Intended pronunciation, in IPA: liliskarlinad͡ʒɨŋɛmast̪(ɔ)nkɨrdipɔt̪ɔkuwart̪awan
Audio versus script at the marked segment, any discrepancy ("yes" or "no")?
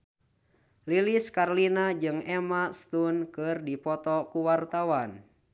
yes